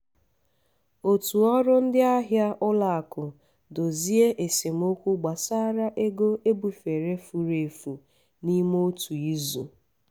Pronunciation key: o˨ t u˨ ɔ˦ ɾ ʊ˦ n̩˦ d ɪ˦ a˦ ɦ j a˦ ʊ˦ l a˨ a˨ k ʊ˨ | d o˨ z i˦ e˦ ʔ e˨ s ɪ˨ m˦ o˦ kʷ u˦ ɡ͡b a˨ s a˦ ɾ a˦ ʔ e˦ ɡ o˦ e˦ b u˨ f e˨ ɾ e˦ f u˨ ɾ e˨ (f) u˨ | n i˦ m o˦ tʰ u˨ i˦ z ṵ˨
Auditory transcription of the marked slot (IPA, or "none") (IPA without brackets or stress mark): f